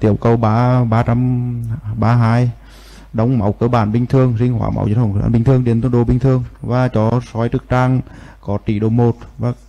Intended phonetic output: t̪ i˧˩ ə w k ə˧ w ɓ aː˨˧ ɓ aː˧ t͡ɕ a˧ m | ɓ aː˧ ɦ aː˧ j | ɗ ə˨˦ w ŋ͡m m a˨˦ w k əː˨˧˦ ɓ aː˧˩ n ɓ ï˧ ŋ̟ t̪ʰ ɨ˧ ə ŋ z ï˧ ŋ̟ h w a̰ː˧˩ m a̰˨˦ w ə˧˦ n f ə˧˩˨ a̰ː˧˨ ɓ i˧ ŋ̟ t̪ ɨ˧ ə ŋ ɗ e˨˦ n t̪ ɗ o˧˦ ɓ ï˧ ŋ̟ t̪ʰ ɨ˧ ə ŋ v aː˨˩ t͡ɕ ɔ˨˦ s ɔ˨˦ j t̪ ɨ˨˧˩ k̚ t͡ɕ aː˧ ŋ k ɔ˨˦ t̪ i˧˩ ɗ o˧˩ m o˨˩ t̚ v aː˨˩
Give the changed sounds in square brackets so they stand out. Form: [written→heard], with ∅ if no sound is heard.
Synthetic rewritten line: t̪ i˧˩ ə w k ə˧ w ɓ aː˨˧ ɓ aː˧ t͡ɕ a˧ m | ɓ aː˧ ɦ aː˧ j | ɗ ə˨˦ w ŋ͡m m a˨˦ w k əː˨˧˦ ɓ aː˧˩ n ɓ ï˧ ŋ̟ t̪ʰ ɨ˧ ə ŋ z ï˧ ŋ̟ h w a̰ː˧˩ m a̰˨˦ w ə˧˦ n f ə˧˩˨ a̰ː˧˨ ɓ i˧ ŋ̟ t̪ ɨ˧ ə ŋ ɗ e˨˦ n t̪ ɗ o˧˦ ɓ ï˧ ŋ̟ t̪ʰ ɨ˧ ə ŋ v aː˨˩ t͡ɕ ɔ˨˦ s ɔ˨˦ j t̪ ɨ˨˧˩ k̚ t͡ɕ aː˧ ŋ k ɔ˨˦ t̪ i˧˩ ɗ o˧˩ m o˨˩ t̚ v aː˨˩